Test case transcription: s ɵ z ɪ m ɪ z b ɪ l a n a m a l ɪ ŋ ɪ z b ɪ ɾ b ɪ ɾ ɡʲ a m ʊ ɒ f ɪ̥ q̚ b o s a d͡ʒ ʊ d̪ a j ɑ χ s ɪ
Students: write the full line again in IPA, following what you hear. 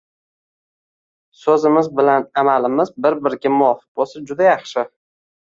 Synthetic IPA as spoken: s ɵ z ɪ m ɪ z b ɪ l a n a m a l ɪ m ɪ z b ɪ ɾ b ɪ ɾ ɡʲ a m ʊ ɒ f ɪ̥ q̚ b o s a d͡ʒ ʊ d̪ a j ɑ χ ʃ ɪ